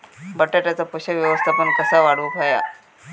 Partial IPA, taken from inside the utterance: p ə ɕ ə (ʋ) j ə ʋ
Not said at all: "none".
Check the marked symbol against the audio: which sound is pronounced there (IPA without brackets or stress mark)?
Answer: ʋ